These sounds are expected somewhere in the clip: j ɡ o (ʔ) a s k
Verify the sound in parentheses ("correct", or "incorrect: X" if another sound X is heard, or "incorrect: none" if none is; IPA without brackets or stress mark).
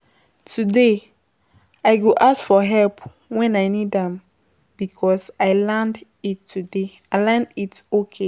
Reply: correct